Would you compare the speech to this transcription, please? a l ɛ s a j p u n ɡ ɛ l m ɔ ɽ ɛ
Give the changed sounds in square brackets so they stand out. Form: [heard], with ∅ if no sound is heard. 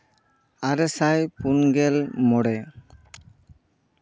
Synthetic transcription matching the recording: a [ɾ] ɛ s a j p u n ɡ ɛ l m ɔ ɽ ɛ